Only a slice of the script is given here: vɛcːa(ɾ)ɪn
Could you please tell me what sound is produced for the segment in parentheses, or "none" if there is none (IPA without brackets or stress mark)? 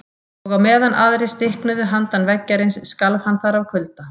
ɾ